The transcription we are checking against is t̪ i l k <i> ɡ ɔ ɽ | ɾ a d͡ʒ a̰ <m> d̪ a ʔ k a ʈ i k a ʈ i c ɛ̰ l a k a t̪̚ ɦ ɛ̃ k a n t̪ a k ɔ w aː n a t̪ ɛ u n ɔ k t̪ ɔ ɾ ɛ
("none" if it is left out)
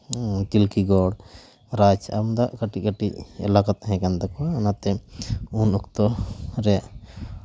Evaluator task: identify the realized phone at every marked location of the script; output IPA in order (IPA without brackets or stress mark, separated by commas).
i, m